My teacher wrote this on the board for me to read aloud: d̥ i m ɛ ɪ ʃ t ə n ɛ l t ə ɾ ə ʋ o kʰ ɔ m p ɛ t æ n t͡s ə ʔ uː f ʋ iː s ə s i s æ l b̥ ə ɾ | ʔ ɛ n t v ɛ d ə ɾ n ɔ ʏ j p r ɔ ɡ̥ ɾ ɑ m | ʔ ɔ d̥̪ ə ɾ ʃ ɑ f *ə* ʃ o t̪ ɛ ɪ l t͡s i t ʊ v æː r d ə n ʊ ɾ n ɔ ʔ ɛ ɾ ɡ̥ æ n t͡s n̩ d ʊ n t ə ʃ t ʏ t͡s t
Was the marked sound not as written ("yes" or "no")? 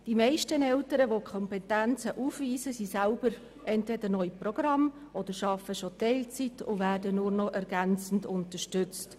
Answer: no